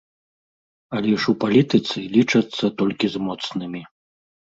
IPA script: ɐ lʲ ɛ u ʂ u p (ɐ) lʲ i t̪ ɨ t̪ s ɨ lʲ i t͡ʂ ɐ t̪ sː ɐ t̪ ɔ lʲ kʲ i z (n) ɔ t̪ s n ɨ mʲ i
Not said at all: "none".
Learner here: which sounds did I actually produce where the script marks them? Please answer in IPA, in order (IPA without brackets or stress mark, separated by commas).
a, m